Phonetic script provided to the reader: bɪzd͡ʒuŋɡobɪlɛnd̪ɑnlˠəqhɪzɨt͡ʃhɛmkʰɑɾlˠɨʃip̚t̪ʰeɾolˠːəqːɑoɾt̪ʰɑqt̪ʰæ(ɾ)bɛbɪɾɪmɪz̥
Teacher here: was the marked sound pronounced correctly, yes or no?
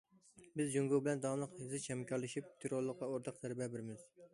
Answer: yes